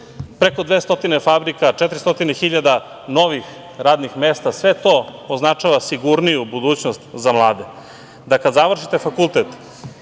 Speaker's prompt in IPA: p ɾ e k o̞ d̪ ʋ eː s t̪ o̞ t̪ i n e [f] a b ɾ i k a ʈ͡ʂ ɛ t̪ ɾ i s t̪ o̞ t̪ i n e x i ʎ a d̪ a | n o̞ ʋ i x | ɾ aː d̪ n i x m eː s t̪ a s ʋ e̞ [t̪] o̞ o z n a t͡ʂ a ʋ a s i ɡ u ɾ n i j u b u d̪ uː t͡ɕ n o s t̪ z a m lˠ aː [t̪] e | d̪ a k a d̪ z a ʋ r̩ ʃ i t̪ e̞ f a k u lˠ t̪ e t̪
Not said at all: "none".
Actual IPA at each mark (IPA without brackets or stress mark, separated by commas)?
f, t̪, d̪